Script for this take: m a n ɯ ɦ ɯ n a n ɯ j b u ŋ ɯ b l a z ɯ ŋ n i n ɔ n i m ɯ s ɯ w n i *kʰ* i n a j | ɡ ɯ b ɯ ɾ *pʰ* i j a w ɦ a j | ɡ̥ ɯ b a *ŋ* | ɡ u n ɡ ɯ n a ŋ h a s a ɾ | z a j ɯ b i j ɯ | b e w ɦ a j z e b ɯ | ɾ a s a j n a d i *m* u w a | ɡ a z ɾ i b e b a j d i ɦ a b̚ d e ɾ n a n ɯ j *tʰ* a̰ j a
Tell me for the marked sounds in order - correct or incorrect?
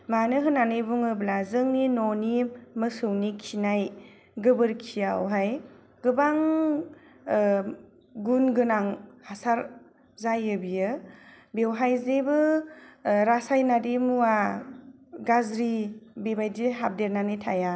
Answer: correct, incorrect: kʰ, correct, correct, correct

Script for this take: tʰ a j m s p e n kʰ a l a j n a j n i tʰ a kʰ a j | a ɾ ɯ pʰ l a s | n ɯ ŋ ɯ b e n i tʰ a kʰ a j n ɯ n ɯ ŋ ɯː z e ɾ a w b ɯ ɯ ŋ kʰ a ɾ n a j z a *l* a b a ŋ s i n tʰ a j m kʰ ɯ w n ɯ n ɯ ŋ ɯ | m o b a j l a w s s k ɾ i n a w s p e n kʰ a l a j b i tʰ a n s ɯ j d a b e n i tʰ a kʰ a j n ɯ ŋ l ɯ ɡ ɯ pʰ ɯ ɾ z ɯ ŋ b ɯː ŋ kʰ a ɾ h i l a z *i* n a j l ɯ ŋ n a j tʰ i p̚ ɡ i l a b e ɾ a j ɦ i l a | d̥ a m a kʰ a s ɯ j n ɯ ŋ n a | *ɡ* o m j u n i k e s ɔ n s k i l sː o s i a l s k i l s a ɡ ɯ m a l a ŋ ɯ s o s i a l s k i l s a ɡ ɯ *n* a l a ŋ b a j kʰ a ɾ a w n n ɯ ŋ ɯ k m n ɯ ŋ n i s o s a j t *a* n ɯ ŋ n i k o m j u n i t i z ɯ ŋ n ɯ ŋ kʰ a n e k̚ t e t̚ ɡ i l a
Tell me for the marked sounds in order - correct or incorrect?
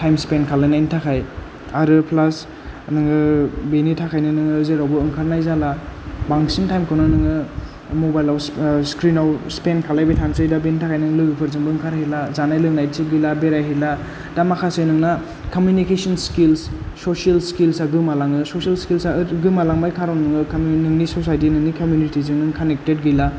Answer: correct, incorrect: a, incorrect: k, incorrect: m, incorrect: i

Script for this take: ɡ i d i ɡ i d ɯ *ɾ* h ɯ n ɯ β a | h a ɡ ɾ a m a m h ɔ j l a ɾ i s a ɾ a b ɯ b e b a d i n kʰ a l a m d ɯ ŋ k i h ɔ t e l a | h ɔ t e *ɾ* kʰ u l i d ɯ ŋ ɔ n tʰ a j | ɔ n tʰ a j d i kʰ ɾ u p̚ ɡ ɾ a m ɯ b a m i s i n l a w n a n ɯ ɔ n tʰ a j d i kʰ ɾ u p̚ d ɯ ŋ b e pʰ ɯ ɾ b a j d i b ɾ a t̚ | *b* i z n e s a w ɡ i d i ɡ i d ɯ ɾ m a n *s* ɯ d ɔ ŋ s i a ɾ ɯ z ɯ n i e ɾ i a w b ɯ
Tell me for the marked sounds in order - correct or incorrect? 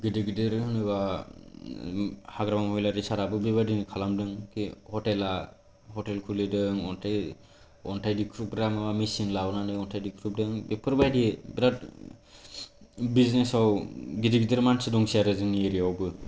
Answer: correct, incorrect: l, correct, correct

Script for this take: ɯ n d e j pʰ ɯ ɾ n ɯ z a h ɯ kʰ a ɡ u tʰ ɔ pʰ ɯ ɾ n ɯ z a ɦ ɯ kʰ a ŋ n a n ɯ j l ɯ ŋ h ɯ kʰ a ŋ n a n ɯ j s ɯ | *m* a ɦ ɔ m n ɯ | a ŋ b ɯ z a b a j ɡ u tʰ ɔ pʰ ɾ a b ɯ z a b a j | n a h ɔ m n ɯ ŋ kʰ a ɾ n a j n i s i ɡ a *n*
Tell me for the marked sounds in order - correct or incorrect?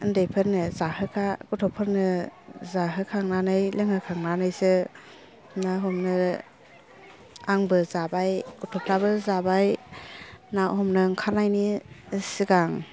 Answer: incorrect: n, incorrect: ŋ

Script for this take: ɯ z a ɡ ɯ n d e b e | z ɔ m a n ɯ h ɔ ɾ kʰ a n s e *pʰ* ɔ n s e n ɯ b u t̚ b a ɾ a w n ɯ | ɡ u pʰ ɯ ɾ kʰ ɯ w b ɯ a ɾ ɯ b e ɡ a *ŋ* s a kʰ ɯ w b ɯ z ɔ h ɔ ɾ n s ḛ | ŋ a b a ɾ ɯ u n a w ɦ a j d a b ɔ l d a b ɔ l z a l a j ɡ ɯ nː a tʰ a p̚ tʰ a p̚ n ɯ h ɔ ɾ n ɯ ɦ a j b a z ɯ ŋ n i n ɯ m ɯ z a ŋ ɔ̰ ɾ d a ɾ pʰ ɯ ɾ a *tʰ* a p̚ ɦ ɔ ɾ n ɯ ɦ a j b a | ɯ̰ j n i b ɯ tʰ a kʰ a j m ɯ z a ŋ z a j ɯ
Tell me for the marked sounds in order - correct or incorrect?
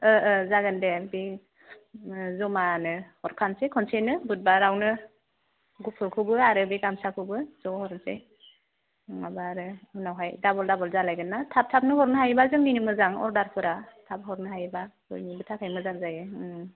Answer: incorrect: kʰ, incorrect: m, correct

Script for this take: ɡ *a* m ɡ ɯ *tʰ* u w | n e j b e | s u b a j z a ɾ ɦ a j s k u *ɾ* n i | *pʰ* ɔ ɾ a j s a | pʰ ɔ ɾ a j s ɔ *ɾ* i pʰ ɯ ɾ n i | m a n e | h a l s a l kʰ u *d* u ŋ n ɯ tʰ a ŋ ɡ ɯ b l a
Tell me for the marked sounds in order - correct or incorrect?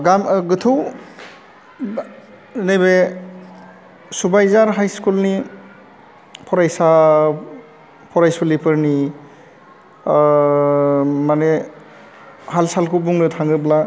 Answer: correct, correct, incorrect: l, correct, incorrect: l, incorrect: b

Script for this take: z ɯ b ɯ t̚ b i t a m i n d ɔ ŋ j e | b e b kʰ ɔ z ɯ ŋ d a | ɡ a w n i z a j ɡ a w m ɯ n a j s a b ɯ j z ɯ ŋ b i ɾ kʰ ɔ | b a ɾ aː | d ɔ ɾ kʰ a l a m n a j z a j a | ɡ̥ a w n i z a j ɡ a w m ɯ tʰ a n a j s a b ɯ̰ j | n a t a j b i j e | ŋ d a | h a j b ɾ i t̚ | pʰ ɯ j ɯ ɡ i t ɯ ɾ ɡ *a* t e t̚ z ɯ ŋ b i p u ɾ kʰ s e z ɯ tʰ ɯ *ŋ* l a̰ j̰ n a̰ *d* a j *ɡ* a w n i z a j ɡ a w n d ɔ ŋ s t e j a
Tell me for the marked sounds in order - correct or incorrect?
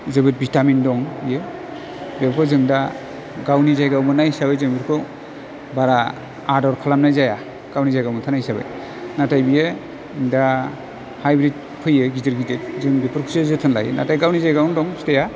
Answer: incorrect: i, incorrect: n, incorrect: t, correct

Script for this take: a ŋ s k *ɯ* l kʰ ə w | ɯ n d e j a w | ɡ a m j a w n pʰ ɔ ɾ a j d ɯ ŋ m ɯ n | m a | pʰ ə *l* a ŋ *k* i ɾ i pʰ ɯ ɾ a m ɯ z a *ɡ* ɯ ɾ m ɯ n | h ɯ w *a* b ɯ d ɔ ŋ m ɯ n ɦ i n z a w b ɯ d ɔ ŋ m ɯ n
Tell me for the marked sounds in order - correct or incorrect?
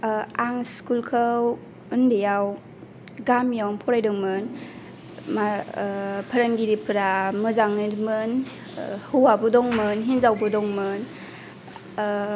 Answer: incorrect: u, incorrect: ɾ, incorrect: ɡ, incorrect: ŋ, correct

